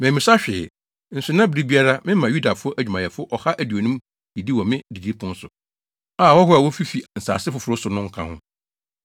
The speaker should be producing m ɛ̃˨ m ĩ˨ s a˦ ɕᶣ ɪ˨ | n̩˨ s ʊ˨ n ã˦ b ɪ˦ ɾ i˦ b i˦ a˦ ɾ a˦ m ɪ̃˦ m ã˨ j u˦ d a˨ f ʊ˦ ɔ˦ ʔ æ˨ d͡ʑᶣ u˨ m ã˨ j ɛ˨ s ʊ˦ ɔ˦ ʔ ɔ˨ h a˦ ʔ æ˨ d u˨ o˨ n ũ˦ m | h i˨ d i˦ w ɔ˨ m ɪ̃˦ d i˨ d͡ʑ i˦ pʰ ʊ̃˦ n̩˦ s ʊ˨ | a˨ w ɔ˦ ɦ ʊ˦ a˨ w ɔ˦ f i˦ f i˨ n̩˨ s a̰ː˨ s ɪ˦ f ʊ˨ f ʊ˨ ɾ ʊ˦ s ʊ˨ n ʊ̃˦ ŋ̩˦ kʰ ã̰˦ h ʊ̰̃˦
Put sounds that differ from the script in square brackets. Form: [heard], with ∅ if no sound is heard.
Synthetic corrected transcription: m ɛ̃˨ m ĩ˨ s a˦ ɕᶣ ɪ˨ | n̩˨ s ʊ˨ n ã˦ b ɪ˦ ɾ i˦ b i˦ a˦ ɾ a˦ m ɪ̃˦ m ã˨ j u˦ d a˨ f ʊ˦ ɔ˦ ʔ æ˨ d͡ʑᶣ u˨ m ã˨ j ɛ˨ [f] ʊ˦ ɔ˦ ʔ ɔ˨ h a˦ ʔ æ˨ d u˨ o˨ n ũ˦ m | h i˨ d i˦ w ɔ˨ m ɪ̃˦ d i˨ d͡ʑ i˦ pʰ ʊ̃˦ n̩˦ s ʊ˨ | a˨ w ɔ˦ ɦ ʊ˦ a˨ w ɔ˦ f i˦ f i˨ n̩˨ s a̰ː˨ s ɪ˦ f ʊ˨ f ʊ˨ ɾ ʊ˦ s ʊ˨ n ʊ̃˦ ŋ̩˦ kʰ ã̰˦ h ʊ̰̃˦

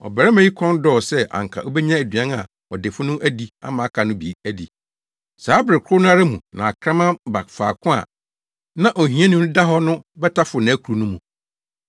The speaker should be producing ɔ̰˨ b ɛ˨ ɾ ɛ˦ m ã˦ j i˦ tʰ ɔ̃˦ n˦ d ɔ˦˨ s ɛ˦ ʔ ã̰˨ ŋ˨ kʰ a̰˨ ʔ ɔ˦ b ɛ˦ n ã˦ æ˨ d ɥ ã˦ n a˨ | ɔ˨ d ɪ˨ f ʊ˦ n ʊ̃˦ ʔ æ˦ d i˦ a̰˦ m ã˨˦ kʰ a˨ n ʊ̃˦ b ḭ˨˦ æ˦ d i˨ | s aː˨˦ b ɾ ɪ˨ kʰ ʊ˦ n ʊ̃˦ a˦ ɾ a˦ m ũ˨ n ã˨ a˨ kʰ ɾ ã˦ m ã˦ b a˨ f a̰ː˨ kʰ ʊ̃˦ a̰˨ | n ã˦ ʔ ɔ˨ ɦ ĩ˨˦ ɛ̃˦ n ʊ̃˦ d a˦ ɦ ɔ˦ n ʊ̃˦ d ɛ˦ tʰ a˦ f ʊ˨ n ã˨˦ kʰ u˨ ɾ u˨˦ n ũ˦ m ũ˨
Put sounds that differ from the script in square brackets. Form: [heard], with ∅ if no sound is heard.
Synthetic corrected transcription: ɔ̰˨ b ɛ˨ ɾ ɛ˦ m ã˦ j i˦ [kʰ] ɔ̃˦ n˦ d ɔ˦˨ s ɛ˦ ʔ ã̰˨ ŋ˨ kʰ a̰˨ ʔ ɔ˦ b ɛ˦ [ɲ] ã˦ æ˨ d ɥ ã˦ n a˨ | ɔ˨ d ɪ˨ f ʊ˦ n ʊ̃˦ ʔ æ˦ d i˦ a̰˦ m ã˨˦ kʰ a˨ n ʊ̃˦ b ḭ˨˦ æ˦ d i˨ | s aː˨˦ b ɾ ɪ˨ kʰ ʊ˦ n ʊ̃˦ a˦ ɾ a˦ m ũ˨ n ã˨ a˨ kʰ ɾ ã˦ m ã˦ b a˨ f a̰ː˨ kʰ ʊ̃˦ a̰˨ | n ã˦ ʔ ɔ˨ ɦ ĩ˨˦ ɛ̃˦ n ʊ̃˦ d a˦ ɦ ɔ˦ n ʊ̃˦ [b] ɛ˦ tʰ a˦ f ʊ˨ n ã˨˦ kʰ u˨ ɾ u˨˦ n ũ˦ m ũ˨

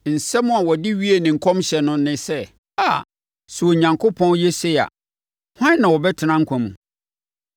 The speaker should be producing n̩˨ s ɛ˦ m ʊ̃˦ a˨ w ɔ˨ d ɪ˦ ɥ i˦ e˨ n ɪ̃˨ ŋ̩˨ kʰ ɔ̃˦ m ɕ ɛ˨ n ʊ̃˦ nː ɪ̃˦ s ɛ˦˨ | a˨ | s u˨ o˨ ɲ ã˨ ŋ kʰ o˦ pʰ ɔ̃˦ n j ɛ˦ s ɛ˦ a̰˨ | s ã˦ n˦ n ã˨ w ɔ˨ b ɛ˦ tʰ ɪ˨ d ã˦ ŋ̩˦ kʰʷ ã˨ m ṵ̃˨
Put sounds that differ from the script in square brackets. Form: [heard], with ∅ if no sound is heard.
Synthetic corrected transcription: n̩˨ s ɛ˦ m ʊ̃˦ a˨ w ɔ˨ d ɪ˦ ɥ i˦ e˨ n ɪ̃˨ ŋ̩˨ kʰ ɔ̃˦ m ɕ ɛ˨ n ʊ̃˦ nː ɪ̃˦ s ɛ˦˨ | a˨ | s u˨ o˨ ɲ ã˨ ŋ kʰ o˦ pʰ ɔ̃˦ n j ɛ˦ s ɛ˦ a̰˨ | [h] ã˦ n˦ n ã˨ w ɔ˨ b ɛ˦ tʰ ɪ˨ [n] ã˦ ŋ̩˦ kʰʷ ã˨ m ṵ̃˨

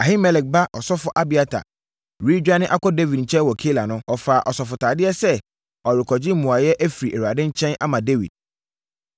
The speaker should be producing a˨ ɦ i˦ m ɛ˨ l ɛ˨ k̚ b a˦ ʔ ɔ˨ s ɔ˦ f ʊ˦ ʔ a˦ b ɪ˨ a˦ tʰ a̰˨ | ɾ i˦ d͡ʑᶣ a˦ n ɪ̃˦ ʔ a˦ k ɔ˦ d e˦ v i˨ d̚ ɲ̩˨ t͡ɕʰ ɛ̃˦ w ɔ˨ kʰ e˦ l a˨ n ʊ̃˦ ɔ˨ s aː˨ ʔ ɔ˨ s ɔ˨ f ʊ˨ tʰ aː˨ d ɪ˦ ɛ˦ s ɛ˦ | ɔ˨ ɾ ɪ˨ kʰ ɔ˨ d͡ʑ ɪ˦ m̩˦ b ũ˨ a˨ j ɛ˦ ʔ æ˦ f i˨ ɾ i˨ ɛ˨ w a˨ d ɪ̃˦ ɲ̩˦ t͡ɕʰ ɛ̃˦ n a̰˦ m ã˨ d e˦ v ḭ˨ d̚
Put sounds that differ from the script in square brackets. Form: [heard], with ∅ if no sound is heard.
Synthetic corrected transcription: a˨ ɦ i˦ m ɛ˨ l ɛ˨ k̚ b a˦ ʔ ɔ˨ s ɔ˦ f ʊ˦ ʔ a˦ b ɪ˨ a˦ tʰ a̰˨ | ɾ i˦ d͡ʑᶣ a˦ n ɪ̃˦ ʔ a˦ k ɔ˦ d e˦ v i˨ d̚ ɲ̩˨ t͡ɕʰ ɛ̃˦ w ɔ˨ kʰ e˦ l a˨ n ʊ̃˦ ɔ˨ [f] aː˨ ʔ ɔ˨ s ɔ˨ f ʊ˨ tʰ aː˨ d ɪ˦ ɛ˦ s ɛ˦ | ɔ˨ ɾ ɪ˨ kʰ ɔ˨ d͡ʑ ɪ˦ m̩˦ [m] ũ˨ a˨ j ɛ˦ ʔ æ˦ f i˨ ɾ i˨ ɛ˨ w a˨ d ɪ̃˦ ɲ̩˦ t͡ɕʰ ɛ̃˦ n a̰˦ m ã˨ d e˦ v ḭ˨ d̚

